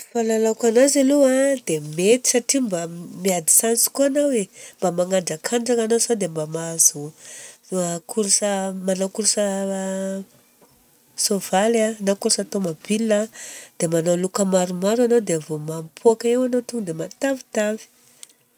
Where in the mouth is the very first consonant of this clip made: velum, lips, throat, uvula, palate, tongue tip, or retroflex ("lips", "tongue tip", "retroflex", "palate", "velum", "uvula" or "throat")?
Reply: lips